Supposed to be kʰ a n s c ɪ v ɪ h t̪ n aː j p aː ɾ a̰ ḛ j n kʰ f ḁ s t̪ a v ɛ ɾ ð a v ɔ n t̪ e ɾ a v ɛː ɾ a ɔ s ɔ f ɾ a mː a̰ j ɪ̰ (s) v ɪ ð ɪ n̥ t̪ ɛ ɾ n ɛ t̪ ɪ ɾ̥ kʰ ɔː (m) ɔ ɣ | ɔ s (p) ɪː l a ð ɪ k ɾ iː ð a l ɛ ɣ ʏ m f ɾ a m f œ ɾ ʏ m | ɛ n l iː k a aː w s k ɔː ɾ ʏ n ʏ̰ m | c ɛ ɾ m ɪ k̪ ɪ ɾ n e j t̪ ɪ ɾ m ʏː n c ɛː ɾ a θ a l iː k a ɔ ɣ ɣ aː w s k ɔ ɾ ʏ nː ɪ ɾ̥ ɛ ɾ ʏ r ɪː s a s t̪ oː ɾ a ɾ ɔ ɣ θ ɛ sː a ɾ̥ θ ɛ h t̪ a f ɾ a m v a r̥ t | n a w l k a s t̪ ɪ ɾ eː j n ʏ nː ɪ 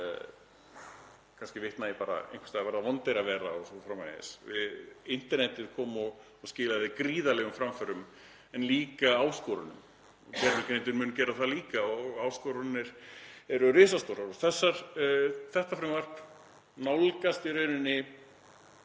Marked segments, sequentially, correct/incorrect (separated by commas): correct, correct, incorrect